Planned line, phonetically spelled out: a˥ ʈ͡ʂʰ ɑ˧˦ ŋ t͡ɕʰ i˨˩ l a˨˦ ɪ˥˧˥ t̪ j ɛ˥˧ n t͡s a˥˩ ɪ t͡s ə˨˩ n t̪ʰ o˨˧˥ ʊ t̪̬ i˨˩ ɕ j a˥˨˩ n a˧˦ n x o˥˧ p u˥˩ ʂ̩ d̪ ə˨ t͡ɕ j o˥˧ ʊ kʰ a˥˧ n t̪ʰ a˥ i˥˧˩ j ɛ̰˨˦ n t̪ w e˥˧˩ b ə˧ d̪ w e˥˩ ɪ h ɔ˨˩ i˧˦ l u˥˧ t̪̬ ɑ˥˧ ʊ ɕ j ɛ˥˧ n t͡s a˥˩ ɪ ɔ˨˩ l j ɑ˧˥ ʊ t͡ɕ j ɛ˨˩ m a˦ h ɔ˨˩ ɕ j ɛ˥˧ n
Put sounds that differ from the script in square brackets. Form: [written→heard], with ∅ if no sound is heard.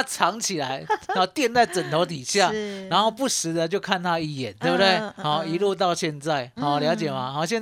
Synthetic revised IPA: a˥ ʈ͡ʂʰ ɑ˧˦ ŋ t͡ɕʰ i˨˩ l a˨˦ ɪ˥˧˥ t̪ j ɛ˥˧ n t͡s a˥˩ ɪ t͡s ə˨˩ n t̪ʰ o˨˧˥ ʊ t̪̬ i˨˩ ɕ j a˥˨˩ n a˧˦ n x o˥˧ p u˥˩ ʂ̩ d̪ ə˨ t͡ɕ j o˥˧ ʊ kʰ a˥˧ n t̪ʰ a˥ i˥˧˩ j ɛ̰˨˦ n t̪ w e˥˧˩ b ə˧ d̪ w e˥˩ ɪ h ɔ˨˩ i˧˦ l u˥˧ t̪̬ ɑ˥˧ ʊ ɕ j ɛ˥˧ n t͡s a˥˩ ɪ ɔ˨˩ l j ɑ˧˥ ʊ t͡ɕ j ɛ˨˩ m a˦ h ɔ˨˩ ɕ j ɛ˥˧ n